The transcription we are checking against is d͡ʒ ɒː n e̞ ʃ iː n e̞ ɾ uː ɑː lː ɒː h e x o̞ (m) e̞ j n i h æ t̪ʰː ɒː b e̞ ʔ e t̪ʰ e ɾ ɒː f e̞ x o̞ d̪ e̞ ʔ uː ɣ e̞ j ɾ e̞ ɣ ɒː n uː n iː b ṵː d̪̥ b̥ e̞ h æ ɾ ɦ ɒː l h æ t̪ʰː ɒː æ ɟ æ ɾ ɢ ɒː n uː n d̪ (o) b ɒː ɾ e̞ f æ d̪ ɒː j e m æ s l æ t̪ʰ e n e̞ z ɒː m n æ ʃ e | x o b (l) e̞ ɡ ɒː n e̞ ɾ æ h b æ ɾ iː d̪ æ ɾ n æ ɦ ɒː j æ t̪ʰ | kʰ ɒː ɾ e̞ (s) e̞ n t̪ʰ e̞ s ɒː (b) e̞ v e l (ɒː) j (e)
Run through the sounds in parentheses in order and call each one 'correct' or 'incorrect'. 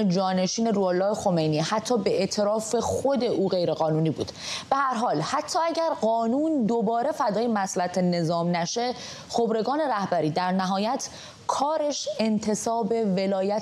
correct, correct, incorrect: ɾ, incorrect: ʃ, correct, correct, incorrect: æ

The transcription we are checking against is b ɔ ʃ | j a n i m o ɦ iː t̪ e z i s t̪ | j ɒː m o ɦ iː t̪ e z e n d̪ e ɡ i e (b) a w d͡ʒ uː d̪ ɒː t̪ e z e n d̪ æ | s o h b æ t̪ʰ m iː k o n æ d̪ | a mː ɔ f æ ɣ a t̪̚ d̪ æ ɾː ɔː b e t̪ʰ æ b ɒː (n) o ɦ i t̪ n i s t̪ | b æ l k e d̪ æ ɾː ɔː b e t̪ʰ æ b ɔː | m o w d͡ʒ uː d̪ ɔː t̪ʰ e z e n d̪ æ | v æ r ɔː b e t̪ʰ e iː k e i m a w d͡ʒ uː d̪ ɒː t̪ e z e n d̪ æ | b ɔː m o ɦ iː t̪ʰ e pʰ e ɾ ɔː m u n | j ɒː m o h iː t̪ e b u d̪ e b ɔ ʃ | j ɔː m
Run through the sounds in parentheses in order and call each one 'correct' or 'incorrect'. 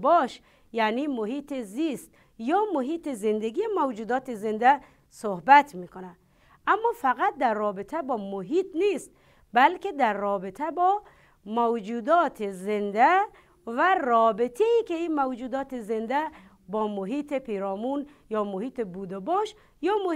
incorrect: m, incorrect: m

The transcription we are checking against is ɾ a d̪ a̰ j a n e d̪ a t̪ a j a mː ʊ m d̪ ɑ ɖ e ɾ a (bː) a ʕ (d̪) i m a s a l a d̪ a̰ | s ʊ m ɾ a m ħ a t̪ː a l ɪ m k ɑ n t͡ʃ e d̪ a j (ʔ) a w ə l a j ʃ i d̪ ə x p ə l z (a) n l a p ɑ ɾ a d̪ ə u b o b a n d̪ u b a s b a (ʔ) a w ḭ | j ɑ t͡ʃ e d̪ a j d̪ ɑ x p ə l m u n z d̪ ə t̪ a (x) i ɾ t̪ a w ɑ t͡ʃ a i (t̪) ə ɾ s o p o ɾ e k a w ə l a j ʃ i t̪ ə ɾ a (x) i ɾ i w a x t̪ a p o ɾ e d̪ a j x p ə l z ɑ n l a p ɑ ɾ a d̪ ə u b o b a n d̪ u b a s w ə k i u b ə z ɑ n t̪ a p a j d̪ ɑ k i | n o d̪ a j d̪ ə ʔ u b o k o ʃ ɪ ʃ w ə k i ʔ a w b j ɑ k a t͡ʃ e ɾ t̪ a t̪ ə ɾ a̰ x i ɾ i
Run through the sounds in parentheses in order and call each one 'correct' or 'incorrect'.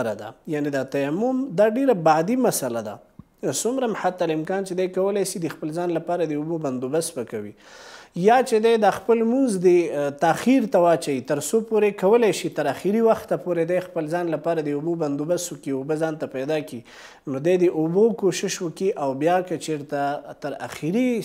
incorrect: b, correct, incorrect: k, incorrect: ɑ, incorrect: k, correct, correct, correct

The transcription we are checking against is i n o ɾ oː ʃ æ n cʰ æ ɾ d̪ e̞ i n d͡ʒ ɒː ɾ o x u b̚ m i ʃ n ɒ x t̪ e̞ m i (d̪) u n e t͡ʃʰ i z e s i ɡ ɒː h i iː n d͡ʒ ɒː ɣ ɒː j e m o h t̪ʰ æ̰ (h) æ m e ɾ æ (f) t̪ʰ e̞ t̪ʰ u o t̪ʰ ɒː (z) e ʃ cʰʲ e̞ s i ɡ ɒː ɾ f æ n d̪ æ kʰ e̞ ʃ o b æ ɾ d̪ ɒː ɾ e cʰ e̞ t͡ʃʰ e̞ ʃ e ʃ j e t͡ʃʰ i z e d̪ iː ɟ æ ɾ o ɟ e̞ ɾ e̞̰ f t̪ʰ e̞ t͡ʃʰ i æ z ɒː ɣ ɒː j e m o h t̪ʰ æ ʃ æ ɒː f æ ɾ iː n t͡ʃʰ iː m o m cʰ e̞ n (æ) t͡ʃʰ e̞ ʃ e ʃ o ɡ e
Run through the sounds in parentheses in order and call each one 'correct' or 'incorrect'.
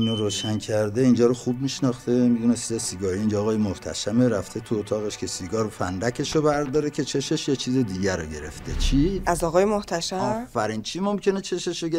correct, incorrect: ʃ, correct, incorrect: ɣ, incorrect: e

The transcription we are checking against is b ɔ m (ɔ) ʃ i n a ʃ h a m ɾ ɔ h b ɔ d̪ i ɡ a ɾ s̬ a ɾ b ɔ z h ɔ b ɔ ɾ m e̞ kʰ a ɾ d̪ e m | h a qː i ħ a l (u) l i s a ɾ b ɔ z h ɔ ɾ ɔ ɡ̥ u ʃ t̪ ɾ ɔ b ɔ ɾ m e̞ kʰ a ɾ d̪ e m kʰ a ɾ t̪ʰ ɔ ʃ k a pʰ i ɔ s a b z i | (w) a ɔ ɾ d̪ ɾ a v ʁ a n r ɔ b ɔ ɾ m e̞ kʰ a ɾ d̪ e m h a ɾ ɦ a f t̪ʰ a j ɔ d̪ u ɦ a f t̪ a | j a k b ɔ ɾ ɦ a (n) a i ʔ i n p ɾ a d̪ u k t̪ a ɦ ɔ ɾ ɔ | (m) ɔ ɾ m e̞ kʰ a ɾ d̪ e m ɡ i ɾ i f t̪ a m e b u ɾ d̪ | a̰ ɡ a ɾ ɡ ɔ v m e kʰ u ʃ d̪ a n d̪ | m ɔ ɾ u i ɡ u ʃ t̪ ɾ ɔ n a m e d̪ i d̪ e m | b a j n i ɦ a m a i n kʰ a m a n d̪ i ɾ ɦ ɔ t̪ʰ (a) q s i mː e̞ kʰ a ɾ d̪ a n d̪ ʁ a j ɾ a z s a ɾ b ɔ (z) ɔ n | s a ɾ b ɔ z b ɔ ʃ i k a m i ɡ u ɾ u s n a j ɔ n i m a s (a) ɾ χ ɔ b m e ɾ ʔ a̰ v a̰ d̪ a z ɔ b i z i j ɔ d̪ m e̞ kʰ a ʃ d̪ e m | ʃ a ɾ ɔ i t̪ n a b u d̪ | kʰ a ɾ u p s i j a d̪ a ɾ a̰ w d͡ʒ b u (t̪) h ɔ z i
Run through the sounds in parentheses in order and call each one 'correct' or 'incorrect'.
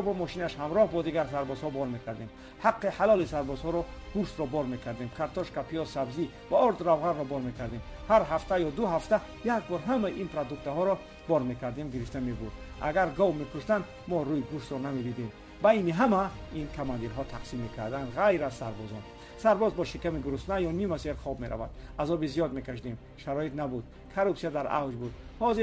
correct, incorrect: ɔ, incorrect: v, incorrect: m, incorrect: b, correct, correct, incorrect: e, incorrect: d̪

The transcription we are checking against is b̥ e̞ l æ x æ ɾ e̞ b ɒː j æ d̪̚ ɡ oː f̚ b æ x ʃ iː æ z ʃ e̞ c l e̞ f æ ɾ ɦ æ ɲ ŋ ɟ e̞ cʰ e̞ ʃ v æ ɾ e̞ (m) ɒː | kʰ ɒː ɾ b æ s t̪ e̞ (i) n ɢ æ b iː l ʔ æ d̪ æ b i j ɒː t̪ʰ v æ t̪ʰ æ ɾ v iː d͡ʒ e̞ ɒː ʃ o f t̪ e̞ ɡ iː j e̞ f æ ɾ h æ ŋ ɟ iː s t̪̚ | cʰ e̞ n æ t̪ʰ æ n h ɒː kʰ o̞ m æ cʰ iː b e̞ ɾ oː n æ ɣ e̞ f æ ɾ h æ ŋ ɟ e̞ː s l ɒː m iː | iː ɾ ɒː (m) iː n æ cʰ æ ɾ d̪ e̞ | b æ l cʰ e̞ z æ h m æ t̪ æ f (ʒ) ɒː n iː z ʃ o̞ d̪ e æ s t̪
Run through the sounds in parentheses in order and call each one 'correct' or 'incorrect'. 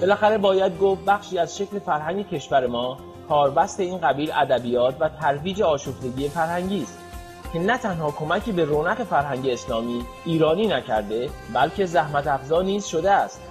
correct, incorrect: iː, incorrect: n, incorrect: z

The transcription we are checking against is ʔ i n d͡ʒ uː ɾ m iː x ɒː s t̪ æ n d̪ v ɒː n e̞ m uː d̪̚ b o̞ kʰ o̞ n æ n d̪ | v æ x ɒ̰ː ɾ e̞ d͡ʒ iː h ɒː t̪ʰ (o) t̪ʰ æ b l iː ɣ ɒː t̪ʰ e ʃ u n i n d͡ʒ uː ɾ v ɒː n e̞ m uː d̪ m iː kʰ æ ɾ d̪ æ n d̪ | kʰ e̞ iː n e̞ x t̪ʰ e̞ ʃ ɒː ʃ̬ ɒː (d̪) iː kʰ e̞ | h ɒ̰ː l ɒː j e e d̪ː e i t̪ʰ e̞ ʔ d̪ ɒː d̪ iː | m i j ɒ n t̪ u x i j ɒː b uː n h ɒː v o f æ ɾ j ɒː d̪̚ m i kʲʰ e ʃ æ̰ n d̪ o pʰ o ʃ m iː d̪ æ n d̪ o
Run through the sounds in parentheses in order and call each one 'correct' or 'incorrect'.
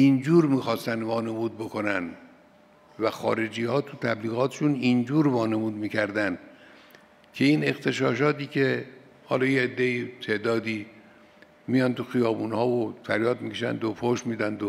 incorrect: u, incorrect: t̪

